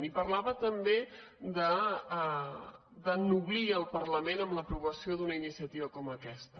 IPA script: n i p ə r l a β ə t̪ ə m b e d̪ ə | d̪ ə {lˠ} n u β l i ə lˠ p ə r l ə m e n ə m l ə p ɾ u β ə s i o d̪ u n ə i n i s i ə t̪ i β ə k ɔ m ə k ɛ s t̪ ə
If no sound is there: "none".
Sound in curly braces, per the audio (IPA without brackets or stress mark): none